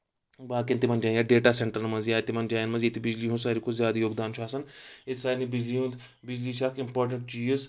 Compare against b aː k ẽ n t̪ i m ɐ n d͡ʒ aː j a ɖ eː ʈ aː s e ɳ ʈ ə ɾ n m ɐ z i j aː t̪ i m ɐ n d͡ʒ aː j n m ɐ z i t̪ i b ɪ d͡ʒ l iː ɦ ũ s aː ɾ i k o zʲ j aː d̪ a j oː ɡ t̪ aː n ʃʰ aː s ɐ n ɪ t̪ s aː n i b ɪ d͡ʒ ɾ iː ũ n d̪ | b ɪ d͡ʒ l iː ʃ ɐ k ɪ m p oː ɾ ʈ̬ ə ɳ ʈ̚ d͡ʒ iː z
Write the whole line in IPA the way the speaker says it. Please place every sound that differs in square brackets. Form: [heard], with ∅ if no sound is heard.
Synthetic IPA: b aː k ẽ n t̪ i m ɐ n d͡ʒ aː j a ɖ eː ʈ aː s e ɳ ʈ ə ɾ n m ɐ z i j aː t̪ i m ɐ n d͡ʒ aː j n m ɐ z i t̪ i b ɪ d͡ʒ l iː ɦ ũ s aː ɾ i k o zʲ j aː d̪ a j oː ɡ [d̪] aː n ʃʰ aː s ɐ n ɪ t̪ s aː n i b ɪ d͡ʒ [l] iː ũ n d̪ | b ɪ d͡ʒ l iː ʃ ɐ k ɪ m p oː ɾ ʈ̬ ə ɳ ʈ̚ d͡ʒ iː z

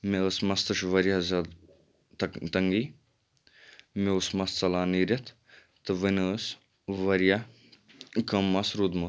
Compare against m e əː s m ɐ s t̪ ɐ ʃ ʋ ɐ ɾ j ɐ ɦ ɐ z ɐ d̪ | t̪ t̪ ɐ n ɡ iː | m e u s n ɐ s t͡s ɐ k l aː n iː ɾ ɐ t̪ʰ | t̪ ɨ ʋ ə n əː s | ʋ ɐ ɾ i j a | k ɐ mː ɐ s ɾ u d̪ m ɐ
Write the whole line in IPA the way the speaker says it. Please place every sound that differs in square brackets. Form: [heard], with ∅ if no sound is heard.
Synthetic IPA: m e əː s m ɐ s t̪ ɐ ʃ ʋ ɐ ɾ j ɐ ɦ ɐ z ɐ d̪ | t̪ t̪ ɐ [ŋ] ɡ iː | m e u s [m] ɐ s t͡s ɐ [∅] l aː n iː ɾ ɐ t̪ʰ | t̪ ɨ ʋ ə n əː s | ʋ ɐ ɾ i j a | k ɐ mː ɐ s ɾ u d̪ m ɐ

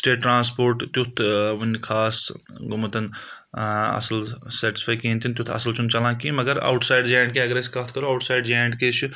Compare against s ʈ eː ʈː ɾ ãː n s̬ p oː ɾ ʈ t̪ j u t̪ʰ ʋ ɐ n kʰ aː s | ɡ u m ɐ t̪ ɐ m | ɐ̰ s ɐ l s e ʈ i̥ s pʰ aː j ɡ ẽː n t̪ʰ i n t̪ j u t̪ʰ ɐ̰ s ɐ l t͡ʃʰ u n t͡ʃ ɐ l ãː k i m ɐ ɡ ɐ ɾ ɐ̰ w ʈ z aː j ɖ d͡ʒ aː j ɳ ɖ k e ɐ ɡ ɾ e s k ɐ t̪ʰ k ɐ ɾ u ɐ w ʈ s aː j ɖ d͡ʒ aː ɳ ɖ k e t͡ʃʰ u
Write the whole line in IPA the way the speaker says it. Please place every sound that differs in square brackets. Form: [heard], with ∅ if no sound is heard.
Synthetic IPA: s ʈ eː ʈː ɾ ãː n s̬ p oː ɾ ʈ t̪ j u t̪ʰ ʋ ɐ n kʰ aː s | ɡ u m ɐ t̪ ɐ [n] | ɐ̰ s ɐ l s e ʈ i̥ s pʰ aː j [k] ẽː n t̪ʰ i n t̪ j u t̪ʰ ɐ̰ s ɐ l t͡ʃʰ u n t͡ʃ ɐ l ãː k i m ɐ ɡ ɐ ɾ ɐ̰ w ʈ [s] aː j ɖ d͡ʒ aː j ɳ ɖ k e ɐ ɡ ɾ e s k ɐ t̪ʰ k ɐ ɾ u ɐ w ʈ s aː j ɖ d͡ʒ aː ɳ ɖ k e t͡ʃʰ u

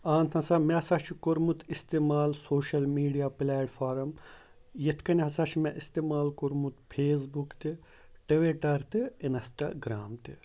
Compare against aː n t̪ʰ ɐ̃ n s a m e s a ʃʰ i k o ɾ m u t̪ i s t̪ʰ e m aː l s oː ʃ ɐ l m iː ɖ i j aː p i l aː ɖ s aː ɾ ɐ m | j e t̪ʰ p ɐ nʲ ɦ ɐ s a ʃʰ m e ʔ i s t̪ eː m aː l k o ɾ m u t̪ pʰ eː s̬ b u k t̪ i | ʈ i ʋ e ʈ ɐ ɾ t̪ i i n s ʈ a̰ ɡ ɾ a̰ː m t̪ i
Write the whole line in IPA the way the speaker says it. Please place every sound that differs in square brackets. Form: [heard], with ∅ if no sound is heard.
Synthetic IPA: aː n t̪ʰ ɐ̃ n s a m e s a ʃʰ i k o ɾ m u t̪ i s [t̪] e m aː l s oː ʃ ɐ l m iː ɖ i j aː p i l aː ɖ [f] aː ɾ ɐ m | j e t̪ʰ [k] ɐ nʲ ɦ ɐ s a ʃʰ m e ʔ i s t̪ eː m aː l k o ɾ m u t̪ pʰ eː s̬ b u k t̪ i | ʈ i ʋ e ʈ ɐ ɾ t̪ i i n s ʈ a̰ ɡ ɾ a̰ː m t̪ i

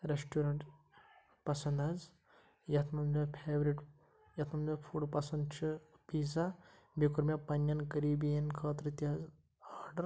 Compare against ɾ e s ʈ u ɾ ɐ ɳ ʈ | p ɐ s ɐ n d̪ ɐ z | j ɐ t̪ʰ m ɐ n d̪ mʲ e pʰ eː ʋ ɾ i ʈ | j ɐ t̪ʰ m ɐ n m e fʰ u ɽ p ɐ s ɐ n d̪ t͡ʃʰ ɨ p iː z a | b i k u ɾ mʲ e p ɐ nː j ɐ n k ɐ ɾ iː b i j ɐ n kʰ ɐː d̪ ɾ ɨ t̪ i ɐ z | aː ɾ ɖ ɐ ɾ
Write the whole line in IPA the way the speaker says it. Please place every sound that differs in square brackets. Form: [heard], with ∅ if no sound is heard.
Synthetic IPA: ɾ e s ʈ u ɾ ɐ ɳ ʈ | p ɐ s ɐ n d̪ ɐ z | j ɐ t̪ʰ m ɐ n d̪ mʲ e pʰ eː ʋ ɾ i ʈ | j ɐ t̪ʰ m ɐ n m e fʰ u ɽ p ɐ s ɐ n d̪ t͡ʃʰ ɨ p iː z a | b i k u ɾ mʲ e p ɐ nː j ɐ n k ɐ ɾ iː b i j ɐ n kʰ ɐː [t̪] ɾ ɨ t̪ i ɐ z | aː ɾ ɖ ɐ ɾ

